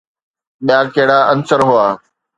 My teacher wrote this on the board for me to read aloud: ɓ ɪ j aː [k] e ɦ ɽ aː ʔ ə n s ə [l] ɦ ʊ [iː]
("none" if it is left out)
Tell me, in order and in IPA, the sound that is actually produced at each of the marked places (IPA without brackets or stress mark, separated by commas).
k, ɾ, aː